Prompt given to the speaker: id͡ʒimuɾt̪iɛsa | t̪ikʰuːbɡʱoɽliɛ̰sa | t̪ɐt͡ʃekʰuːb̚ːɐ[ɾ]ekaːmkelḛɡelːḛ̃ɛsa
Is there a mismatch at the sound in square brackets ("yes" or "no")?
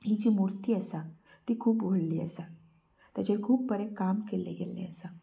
no